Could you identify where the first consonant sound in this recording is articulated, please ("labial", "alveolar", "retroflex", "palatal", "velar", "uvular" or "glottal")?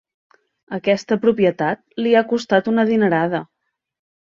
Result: velar